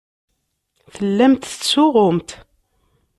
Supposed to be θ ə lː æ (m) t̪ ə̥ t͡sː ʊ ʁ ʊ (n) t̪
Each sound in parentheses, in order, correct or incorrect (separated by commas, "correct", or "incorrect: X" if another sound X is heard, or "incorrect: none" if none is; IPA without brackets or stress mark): correct, incorrect: m